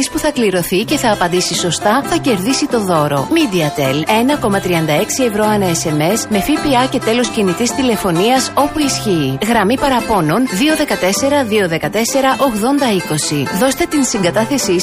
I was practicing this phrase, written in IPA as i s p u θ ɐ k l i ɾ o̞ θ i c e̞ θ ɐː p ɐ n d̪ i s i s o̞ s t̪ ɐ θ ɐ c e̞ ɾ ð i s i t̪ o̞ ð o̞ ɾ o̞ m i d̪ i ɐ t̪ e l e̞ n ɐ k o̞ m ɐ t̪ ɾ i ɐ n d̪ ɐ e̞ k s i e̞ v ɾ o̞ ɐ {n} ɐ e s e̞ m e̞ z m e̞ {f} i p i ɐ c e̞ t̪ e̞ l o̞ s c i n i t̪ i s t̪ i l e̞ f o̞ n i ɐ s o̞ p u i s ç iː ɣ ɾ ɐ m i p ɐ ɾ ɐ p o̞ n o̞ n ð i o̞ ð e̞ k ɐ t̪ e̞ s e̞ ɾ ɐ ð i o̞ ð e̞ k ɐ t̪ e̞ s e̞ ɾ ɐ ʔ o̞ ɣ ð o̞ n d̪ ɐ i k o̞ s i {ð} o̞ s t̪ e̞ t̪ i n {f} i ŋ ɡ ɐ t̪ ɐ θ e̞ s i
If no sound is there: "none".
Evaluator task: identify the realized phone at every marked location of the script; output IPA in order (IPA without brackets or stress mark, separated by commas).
n, f, ð, s